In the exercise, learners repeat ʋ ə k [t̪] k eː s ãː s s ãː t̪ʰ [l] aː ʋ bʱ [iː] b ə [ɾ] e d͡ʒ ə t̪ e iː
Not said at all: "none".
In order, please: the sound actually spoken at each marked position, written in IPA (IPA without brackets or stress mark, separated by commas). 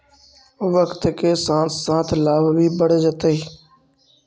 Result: t̪, l, iː, ɽ